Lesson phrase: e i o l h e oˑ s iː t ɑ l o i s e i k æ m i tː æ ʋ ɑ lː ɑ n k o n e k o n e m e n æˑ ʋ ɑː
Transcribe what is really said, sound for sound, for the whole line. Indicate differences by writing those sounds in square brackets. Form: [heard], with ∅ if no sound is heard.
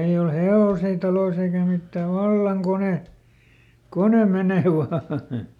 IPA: e i o l h e oˑ s iː t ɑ l o i s e i k æ m i tː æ ʋ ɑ lː ɑ [ŋ] k o n e k o n e m e n [eˑ] ʋ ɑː